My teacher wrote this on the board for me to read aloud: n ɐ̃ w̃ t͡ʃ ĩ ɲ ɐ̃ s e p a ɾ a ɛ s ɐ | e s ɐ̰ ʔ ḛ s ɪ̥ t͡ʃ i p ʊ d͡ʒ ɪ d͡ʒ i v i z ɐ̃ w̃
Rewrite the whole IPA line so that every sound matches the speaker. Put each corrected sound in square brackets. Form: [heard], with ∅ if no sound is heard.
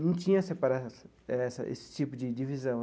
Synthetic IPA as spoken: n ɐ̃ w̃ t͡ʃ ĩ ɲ [ɐ] s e p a ɾ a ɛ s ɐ | [ɛ] s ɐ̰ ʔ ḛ s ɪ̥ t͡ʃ i p ʊ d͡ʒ ɪ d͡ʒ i v i z ɐ̃ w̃